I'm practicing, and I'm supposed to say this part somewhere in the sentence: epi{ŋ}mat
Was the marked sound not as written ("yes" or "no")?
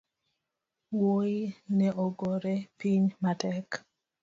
yes